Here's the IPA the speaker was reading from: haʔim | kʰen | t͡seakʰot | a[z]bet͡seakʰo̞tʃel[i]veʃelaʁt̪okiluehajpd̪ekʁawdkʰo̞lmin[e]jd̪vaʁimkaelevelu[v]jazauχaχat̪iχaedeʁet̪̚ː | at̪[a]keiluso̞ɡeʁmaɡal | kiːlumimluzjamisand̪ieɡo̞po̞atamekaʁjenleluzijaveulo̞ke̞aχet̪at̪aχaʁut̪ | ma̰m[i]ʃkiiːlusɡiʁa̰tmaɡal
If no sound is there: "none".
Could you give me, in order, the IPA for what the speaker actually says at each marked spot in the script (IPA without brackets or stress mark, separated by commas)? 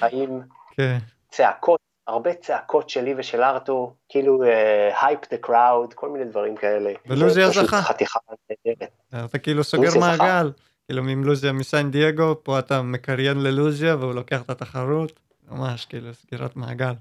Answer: ʁ, i, e, z, a, a